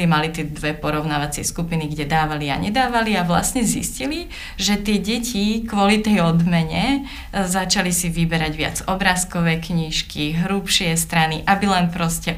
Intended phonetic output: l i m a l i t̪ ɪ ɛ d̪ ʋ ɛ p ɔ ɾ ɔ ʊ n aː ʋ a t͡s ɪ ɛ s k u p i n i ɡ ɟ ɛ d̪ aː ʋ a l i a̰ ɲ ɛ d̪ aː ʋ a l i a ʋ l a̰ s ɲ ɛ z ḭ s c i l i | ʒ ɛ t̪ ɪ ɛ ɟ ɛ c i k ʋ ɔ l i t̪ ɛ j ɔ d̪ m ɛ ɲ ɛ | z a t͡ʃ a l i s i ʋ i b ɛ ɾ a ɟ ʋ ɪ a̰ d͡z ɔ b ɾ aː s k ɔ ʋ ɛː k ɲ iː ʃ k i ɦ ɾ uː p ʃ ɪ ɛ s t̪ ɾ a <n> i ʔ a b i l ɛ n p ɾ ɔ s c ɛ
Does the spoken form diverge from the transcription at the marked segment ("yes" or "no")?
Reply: no